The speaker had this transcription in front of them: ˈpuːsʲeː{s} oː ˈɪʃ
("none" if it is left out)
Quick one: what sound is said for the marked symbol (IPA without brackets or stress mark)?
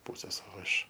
s